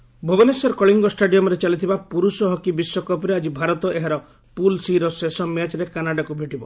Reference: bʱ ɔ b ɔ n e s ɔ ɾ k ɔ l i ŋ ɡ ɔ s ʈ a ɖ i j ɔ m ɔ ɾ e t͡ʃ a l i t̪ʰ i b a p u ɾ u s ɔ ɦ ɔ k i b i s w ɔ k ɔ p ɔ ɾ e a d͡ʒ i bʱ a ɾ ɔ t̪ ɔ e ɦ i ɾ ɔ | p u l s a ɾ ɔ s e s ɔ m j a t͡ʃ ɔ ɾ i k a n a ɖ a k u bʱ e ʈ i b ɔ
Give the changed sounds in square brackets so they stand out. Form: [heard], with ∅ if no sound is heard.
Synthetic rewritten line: bʱ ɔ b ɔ n e s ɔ ɾ k ɔ [ɭ] i ŋ ɡ ɔ s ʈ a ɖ i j ɔ m ɔ ɾ e t͡ʃ a l i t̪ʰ i b a p u ɾ u s ɔ ɦ ɔ k i b i s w ɔ k ɔ p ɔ ɾ e a d͡ʒ i bʱ a ɾ ɔ t̪ ɔ e ɦ [a] ɾ ɔ | p u l s [i] ɾ ɔ s e s ɔ m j a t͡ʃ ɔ ɾ [e] k a n a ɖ a k u bʱ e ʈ i b ɔ

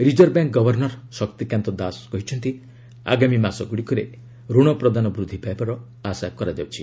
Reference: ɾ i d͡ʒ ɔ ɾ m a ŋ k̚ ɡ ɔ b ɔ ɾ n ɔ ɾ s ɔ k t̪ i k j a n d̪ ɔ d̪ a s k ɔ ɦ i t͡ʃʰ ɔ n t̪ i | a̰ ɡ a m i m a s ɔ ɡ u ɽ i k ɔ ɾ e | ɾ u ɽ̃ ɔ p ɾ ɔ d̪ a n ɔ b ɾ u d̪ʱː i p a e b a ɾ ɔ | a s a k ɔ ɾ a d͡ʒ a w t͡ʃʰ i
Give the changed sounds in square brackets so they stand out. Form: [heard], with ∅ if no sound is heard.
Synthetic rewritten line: ɾ i d͡ʒ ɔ ɾ [b] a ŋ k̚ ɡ ɔ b ɔ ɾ n ɔ ɾ s ɔ k t̪ i k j a n [t̪] ɔ d̪ a s k ɔ ɦ i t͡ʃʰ ɔ n t̪ i | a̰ ɡ a m i m a s ɔ ɡ u ɽ i k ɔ ɾ e | ɾ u ɽ̃ ɔ p ɾ ɔ d̪ a n ɔ b ɾ u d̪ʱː i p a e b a ɾ ɔ | a s a k ɔ ɾ a d͡ʒ a w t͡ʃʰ i

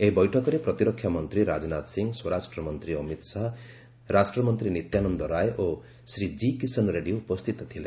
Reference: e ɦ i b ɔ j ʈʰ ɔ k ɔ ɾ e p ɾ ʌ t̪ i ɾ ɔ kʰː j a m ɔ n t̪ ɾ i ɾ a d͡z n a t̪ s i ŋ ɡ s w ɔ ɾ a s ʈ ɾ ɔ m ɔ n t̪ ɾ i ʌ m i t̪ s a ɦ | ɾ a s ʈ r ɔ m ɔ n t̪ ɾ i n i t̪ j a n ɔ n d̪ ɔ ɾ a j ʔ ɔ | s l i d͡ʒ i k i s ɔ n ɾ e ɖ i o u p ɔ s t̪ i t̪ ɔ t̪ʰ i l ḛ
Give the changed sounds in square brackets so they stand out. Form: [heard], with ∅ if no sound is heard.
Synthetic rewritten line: e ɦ i b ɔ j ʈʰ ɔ k ɔ ɾ e p ɾ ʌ t̪ i ɾ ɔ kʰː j a m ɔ n t̪ ɾ i ɾ a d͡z n a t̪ s i ŋ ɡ s w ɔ ɾ a s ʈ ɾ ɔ m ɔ n t̪ ɾ i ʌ m i t̪ s a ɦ | ɾ a s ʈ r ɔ m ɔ n t̪ ɾ i n i t̪ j a n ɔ n d̪ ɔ ɾ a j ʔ [o] | s [ɾ] i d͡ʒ i k i s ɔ n ɾ e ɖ i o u p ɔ s t̪ i t̪ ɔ t̪ʰ i l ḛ

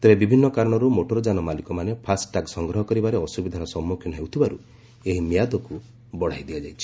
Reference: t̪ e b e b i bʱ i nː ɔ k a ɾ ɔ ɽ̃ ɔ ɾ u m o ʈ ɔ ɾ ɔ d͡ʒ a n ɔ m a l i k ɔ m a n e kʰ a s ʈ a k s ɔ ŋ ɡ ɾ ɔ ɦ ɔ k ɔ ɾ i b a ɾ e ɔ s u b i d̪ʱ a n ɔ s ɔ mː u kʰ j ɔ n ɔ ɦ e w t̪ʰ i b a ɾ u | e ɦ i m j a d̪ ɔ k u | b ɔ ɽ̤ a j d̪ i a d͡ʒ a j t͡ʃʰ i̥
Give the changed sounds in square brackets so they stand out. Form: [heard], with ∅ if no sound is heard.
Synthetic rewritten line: t̪ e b e b i bʱ i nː ɔ k a ɾ ɔ ɽ̃ ɔ ɾ u m o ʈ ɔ ɾ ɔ d͡ʒ a n ɔ m a l i k ɔ m a n e [pʰ] a s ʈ a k s ɔ ŋ ɡ ɾ ɔ ɦ ɔ k ɔ ɾ i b a ɾ e ɔ s u b i d̪ʱ a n ɔ s ɔ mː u kʰ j ɔ n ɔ ɦ e w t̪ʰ i b a ɾ u | e ɦ i m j a d̪ ɔ k u | b ɔ ɽ̤ a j d̪ i a d͡ʒ a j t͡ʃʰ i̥

